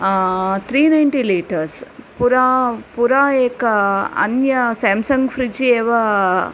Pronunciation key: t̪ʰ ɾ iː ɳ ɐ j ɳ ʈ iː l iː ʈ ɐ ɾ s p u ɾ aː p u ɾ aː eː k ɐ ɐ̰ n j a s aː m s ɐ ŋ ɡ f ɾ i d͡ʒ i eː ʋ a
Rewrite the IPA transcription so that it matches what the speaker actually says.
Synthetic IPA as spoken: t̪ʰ ɾ iː n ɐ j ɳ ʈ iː l iː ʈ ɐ ɾ s p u ɾ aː p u ɾ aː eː k ɐ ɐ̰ n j ɐ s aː m s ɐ ŋ ɡ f ɾ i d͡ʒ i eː ʋ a